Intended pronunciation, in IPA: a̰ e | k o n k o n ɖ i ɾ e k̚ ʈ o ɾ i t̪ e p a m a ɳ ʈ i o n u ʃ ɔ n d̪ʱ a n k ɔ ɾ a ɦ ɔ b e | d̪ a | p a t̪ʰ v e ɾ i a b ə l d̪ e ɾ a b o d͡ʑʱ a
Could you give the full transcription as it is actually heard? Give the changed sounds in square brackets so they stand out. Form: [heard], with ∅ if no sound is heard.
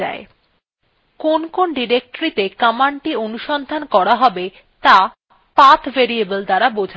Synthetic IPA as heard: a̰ e | k o n k o n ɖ i ɾ e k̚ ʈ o ɾ i t̪ e [k] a m a ɳ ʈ i o n u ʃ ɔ n d̪ʱ a n k ɔ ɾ a ɦ ɔ b e | [t̪] a | p a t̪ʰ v e ɾ i [e] b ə l d̪ [a] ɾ a b o d͡ʑʱ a